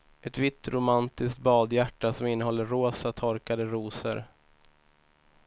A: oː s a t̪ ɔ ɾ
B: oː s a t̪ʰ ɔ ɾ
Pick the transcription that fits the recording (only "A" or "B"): B